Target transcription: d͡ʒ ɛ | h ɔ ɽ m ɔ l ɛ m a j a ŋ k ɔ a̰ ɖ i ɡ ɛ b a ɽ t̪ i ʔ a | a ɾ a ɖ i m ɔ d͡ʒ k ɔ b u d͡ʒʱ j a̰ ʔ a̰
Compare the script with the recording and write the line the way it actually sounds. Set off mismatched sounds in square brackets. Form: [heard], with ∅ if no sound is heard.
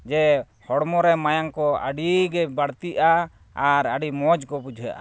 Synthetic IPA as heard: d͡ʒ ɛ | h ɔ ɽ m ɔ [ɾ] ɛ m a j a ŋ k ɔ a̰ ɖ i ɡ ɛ b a ɽ t̪ i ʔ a | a ɾ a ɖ i m ɔ d͡ʒ k ɔ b u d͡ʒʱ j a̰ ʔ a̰